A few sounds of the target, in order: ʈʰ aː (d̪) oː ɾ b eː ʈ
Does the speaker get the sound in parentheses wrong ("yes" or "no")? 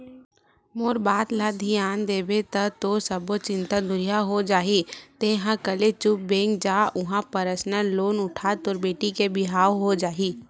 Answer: yes